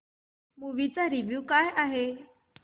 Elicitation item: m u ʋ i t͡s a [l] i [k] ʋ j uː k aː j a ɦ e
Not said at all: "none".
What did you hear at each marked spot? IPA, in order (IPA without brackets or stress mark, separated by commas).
ɾ, none